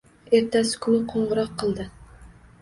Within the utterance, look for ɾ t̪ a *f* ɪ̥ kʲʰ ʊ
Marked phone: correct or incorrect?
incorrect